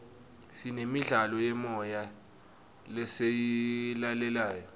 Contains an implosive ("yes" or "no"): no